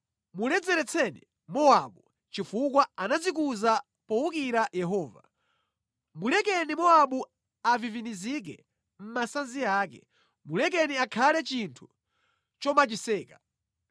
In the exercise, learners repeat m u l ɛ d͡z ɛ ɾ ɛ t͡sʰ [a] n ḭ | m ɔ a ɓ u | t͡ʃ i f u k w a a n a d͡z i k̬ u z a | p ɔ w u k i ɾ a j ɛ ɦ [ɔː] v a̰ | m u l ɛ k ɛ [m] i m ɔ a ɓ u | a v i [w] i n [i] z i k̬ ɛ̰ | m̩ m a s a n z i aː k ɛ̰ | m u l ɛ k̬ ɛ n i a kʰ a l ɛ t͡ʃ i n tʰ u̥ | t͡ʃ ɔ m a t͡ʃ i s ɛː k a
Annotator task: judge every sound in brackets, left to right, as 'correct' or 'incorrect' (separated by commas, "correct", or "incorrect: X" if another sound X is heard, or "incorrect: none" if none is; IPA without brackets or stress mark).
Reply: incorrect: ɛ, correct, incorrect: n, incorrect: v, correct